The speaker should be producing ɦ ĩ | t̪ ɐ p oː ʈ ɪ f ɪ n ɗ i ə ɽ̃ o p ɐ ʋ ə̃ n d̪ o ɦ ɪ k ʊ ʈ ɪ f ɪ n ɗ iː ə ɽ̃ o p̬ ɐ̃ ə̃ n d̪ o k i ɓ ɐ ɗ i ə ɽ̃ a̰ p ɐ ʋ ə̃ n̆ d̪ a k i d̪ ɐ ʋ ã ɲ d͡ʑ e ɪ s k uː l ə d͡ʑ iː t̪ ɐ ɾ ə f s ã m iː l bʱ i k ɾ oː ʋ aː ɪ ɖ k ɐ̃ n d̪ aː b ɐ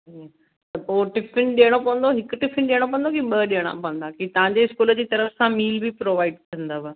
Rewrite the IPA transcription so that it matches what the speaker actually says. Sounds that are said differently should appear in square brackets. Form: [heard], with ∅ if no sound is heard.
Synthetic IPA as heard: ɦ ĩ | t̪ ɐ p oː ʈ ɪ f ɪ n ɗ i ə ɽ̃ o p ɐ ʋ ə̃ n d̪ o ɦ ɪ k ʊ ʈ ɪ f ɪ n ɗ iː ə ɽ̃ o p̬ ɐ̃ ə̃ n d̪ o k i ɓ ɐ ɗ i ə ɽ̃ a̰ p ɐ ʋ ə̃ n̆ d̪ a k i [t̪] ɐ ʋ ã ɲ d͡ʑ e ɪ s k uː l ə d͡ʑ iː t̪ ɐ ɾ ə f s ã m iː l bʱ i [p] ɾ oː ʋ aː ɪ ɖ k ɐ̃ n d̪ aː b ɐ